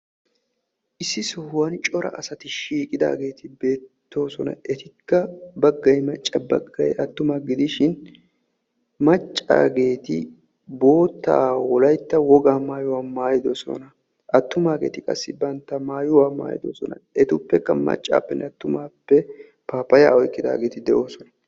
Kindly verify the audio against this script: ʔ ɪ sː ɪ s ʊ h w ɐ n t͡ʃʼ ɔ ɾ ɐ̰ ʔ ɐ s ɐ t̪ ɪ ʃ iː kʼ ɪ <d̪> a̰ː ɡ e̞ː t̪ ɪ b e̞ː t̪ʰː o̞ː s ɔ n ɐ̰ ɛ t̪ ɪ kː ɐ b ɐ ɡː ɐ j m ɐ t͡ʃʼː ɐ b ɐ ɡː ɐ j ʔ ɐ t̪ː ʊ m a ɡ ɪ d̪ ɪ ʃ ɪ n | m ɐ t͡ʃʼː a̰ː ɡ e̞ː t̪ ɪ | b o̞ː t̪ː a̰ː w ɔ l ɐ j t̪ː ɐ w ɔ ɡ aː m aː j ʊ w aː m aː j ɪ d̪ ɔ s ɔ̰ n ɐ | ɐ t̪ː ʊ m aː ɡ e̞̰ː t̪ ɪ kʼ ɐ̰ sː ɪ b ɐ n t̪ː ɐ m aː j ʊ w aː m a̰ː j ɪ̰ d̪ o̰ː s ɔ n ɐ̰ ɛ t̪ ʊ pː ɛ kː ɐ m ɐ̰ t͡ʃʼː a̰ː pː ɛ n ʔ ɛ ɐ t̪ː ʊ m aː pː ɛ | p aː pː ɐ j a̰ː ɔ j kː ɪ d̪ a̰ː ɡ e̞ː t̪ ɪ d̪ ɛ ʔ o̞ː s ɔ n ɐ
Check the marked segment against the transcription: correct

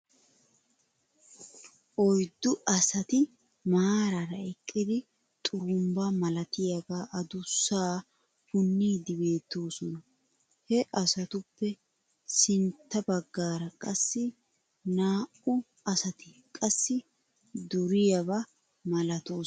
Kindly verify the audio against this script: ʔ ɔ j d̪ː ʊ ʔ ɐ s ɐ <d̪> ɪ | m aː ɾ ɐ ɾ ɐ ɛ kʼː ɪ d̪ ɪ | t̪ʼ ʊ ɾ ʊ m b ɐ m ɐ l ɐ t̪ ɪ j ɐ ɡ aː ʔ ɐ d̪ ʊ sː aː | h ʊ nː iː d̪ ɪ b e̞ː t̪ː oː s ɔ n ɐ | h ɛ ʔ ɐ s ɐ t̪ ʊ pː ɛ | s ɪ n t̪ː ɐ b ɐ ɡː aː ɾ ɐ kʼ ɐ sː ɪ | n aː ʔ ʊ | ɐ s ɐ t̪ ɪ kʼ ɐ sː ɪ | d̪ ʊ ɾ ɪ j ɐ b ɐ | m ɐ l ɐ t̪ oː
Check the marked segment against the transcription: incorrect: t̪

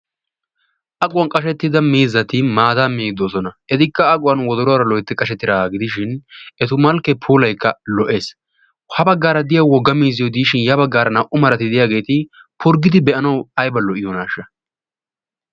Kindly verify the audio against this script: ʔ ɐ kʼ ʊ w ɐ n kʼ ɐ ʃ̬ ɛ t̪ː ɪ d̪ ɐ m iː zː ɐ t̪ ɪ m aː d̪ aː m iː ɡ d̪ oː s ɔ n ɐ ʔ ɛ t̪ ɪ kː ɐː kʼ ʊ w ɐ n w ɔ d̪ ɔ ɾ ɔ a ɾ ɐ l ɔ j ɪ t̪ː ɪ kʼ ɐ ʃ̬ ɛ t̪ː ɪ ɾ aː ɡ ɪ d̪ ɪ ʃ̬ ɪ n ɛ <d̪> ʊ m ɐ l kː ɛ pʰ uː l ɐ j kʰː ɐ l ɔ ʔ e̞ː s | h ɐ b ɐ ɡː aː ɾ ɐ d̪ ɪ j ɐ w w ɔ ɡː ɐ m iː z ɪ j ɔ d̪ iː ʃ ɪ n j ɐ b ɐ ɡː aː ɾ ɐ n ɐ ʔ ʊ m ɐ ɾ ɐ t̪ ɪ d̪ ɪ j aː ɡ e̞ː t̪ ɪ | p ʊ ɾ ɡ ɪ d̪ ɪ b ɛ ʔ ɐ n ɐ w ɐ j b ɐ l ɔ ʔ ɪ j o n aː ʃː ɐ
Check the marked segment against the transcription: incorrect: t̪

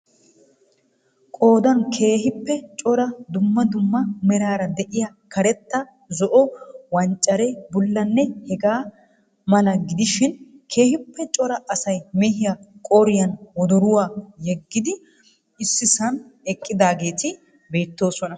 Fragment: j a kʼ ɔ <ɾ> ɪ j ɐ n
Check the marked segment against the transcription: correct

